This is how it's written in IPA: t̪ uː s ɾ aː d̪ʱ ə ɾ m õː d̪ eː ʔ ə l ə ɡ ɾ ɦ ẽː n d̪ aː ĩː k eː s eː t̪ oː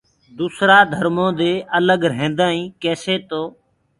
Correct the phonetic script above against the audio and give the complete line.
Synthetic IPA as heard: d̪ uː s ɾ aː d̪ʱ ə ɾ m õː d̪ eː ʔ ə l ə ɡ ɾ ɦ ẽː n d̪ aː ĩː k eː s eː t̪ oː